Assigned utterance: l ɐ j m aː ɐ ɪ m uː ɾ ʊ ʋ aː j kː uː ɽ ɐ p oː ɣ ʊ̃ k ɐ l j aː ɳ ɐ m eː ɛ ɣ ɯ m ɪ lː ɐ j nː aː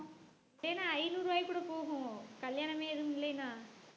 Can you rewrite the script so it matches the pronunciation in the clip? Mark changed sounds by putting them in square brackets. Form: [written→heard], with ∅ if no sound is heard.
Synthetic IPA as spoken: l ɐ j [m→n] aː ɐ ɪ [m→n] uː ɾ [ʊ→ɯ] ʋ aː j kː uː ɽ ɐ p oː ɣ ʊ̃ k ɐ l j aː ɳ ɐ m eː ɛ [ɣ→ð] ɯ m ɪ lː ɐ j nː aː

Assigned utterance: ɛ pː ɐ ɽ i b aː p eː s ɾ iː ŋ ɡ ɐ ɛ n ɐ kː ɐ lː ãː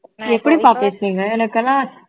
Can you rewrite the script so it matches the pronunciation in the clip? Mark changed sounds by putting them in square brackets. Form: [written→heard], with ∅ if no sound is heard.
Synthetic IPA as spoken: ɛ pː ɐ ɽ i [b→p] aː p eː s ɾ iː ŋ ɡ ɐ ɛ n ɐ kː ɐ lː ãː

